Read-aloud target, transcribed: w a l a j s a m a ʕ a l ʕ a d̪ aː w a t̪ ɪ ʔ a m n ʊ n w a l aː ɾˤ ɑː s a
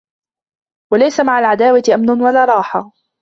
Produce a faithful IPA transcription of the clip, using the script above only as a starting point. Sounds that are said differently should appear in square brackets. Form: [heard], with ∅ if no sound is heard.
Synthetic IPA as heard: w a l a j s a m a ʕ a l ʕ a d̪ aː w a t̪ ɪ ʔ a m n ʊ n w a l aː ɾˤ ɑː [ħ] a